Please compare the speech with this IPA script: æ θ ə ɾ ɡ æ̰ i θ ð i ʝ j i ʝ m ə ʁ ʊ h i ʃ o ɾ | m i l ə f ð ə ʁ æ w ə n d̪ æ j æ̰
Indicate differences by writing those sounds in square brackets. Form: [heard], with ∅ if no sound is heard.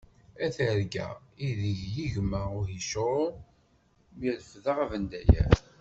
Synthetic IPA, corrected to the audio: æ θ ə ɾ ɡ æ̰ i [∅] ð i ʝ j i ʝ m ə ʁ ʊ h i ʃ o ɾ | m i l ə f ð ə ʁ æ [v] ə n d̪ æ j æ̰